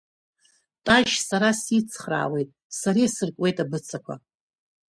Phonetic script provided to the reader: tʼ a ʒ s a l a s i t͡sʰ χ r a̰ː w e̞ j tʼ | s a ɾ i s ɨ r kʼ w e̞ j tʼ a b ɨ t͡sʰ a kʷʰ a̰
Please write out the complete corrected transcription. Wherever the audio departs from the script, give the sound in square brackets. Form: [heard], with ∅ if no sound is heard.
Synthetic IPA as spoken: tʼ a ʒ s a [ɾ] a s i t͡sʰ χ r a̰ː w e̞ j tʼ | s a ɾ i s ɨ r kʼ w e̞ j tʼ a b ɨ t͡sʰ a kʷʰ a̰